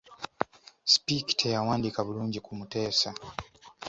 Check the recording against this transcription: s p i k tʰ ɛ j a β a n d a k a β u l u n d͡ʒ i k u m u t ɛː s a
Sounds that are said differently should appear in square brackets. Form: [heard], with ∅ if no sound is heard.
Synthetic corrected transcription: s p i k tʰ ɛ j a [w] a n d [i] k a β u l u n d͡ʒ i k u m u t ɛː s a